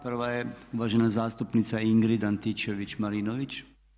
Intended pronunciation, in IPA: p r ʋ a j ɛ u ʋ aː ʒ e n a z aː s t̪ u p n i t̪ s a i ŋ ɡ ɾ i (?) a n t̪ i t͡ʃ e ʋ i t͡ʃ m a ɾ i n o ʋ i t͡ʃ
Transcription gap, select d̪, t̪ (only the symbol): d̪